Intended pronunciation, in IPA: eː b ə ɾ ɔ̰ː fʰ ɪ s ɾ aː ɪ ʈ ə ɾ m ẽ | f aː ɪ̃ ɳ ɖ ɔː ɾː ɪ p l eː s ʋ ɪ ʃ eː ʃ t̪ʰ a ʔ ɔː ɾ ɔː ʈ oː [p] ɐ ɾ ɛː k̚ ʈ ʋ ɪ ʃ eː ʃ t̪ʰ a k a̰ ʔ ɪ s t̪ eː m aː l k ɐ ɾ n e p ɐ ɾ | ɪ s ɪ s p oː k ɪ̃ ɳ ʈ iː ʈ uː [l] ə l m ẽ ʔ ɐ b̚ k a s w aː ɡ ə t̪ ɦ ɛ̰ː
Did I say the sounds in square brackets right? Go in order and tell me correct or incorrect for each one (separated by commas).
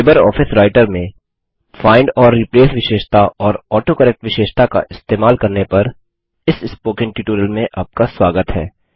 incorrect, incorrect